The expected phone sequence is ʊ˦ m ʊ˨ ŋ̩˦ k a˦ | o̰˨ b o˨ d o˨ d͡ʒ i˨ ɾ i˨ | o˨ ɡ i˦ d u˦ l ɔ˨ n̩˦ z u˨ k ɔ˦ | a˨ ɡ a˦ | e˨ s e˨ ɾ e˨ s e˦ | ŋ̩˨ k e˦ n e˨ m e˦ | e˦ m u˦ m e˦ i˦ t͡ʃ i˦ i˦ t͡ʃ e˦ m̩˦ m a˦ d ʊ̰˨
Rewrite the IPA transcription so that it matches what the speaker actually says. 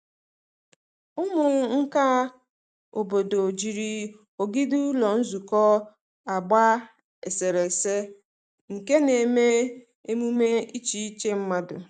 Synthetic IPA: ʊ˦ m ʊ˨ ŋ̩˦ k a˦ | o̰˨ b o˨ d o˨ d͡ʒ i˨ ɾ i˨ | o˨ ɡ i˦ d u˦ l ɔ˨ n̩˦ z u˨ k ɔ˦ | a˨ ɡ͡b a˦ | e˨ s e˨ ɾ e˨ s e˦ | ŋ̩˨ k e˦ n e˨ m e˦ | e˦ m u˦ m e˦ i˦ t͡ʃ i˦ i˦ t͡ʃ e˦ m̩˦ m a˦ d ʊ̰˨